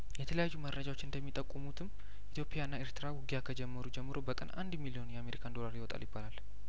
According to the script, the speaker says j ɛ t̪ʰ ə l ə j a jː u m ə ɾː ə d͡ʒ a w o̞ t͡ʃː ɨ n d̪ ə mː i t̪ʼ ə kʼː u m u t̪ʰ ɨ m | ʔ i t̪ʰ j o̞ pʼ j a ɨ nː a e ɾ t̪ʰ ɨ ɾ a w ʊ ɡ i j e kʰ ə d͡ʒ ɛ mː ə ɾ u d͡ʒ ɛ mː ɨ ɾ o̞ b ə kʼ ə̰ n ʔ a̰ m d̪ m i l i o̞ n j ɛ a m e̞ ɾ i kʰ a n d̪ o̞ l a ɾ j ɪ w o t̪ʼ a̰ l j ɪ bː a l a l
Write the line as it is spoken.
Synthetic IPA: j ɛ t̪ʰ ə l ə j a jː u m ə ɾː ə d͡ʒ a w o̞ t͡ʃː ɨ n d̪ ə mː i t̪ʼ ə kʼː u m u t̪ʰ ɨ m | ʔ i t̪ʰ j o̞ pʼ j a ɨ nː a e ɾ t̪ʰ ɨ ɾ a w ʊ ɡ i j a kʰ ə d͡ʒ ɛ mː ə ɾ u d͡ʒ ɛ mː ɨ ɾ o̞ b ə kʼ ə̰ n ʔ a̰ n d̪ m i l i o̞ n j ɛ a m e̞ ɾ i kʰ a n d̪ o̞ l a ɾ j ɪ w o t̪ʼ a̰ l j ɪ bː a l a l